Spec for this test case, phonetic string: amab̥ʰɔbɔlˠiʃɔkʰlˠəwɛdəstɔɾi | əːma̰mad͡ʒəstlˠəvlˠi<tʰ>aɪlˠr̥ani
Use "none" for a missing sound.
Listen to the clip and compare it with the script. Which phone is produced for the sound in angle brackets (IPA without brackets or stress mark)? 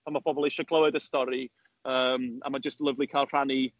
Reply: kʰ